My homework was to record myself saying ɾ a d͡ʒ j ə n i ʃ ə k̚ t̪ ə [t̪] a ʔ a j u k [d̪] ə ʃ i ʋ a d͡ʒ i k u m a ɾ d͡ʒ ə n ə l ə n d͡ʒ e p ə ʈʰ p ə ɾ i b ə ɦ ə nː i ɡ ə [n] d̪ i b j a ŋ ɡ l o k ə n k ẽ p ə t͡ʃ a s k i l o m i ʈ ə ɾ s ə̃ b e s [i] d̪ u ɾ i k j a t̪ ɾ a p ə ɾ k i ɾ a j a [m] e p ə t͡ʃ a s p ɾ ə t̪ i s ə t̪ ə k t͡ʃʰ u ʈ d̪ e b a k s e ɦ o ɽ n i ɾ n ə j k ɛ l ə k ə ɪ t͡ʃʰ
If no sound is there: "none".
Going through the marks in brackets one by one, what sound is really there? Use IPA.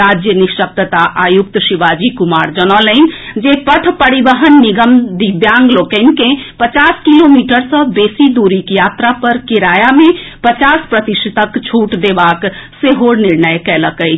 t̪, t̪, m, i, m

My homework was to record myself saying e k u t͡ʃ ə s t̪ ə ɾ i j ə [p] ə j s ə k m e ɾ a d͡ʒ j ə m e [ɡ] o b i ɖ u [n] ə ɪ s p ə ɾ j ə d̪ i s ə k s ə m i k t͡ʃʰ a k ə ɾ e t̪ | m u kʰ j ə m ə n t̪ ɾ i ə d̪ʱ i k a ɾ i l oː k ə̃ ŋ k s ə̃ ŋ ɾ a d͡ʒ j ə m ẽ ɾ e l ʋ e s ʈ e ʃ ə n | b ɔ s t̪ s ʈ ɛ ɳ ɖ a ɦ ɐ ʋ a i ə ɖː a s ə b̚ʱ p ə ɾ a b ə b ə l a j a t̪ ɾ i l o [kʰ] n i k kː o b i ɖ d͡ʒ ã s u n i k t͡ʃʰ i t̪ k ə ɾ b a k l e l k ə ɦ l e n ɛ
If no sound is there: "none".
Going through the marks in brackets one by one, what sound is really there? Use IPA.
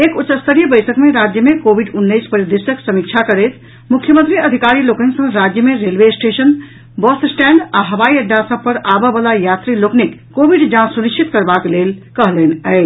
b, k, nː, k

